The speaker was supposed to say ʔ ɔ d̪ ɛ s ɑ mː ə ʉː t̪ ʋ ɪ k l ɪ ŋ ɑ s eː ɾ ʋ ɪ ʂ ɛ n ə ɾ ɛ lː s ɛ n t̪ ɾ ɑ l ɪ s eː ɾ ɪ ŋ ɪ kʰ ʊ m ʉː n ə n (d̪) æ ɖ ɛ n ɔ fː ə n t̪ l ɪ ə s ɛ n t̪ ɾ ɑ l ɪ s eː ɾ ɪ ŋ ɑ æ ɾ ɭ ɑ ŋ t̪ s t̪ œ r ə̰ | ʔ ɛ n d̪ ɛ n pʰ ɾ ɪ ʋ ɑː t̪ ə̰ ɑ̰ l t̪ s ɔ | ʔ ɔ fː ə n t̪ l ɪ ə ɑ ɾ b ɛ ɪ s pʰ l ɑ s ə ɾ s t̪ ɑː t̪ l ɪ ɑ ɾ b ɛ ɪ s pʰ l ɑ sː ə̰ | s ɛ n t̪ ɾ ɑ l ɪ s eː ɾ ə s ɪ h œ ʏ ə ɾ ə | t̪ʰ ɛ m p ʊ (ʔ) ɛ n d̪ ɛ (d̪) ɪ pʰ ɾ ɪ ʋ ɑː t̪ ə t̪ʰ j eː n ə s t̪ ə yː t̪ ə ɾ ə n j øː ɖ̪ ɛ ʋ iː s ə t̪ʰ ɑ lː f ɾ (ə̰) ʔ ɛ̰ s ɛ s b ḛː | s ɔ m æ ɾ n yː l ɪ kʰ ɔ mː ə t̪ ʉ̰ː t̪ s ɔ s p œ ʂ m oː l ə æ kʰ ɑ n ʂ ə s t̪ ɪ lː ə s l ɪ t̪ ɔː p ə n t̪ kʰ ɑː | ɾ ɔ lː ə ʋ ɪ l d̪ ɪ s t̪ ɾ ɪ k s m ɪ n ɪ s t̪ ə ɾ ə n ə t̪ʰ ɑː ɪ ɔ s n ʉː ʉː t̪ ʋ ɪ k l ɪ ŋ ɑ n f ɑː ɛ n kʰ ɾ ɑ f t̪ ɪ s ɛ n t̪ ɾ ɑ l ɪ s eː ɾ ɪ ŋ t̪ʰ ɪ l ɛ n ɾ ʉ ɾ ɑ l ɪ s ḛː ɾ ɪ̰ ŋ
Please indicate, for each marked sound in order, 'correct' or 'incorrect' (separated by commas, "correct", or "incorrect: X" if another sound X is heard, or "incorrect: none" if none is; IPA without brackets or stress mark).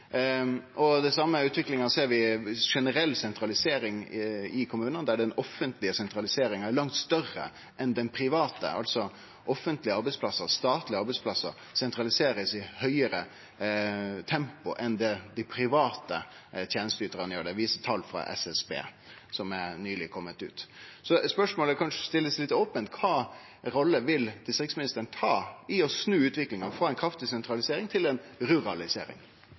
correct, correct, correct, incorrect: ɑ̰